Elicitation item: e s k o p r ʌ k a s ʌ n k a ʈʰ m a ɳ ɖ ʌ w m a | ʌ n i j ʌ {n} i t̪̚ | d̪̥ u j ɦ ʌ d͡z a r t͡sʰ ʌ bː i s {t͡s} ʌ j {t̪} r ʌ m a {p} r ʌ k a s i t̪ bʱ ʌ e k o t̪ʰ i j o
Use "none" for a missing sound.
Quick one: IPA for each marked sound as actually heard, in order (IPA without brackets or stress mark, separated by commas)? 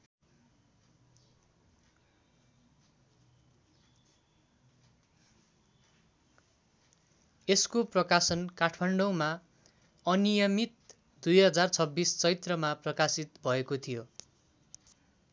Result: m, t͡s, t̪, p